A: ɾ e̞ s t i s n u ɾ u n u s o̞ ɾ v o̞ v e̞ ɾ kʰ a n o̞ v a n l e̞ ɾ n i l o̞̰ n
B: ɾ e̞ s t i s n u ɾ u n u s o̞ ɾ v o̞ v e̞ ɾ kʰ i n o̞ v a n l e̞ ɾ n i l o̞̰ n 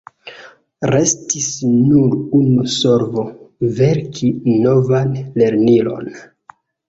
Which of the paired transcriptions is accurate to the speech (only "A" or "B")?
B